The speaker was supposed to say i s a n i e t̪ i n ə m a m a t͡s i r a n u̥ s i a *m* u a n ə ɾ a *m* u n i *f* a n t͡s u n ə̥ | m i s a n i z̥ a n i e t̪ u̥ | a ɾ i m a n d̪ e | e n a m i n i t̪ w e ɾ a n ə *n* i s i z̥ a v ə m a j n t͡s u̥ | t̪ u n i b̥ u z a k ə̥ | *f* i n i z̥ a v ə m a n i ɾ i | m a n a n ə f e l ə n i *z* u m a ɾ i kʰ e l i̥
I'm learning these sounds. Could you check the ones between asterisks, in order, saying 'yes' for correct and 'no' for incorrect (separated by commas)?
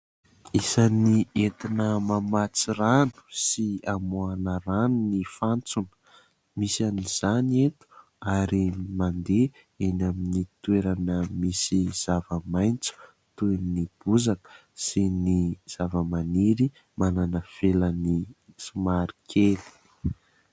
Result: yes, no, yes, no, no, no